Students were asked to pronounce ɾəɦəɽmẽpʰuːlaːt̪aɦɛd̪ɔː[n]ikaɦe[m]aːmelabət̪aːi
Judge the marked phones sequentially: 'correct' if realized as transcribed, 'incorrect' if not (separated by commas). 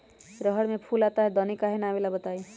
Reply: correct, incorrect